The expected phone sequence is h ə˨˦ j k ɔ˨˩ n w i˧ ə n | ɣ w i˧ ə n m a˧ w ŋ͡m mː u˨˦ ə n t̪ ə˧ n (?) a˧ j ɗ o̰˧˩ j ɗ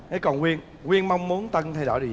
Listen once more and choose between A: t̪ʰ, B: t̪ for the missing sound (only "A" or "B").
A